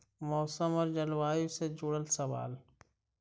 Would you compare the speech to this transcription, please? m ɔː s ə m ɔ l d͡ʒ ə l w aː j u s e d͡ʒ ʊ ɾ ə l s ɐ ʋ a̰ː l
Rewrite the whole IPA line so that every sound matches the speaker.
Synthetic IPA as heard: m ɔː s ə m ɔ ɾ d͡ʒ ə l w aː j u s e d͡ʒ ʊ ɽ ə l s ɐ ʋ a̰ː l